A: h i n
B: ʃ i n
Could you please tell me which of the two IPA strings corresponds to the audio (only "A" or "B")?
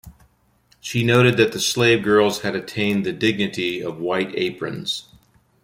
B